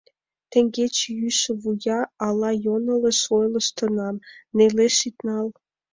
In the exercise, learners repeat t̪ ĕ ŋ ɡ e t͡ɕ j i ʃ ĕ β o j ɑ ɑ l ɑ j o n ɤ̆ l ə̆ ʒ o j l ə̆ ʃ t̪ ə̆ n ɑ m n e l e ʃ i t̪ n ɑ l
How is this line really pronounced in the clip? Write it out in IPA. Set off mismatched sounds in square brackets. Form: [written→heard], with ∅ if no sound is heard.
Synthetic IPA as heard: t̪ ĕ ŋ ɡ e t͡ɕ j [i→y] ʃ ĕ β [o→u] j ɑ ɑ l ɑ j o n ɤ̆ l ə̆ [ʒ→ʃ] o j l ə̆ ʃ t̪ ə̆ n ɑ m n e l e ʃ i t̪ n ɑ l